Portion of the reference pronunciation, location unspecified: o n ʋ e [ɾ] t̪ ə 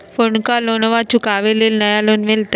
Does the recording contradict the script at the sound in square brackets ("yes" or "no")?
yes